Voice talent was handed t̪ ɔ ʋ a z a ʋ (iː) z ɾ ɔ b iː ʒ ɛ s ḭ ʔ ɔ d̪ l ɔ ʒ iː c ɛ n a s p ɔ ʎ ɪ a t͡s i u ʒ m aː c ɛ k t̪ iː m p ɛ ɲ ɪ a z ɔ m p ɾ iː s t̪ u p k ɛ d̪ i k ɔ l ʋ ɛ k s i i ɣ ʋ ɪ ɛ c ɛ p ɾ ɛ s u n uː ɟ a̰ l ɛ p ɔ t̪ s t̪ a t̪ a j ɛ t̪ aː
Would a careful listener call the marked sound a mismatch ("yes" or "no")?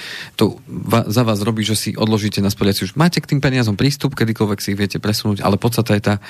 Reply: yes